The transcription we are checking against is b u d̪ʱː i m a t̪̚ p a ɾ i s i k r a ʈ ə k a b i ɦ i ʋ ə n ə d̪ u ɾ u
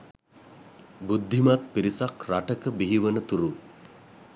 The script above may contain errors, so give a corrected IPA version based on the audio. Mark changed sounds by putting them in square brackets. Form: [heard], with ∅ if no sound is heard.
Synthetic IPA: b u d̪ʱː i m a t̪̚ p [i] ɾ i s [a] k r a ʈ ə k [ə] b i ɦ i ʋ ə n ə [t̪] u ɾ u

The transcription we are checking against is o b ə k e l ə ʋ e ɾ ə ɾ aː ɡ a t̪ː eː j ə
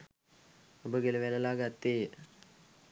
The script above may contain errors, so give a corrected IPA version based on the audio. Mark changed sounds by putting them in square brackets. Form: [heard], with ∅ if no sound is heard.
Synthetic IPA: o b ə [ɡ] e l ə ʋ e [l] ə [l] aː ɡ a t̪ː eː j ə

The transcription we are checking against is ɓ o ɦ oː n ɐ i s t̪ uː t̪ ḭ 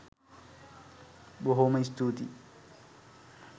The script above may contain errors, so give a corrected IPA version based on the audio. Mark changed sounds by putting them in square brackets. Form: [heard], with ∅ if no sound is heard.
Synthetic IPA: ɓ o ɦ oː [m] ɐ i s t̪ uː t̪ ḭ

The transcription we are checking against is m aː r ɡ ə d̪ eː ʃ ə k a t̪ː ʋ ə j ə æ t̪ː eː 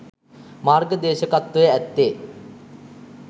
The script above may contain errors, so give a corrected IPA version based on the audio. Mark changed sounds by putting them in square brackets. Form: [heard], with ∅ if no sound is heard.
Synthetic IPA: m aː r ɡ ə d̪ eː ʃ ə k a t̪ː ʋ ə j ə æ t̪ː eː

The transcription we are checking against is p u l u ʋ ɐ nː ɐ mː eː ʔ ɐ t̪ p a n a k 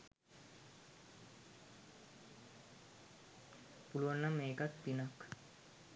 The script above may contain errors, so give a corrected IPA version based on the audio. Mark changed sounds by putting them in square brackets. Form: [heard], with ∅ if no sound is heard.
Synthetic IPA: p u l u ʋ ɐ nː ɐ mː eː [k] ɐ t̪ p [i] n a k

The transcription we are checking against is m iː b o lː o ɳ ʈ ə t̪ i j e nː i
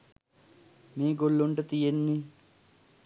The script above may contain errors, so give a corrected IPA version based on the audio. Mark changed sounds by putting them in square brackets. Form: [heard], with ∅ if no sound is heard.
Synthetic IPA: m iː [ɡ] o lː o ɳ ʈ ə t̪ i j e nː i

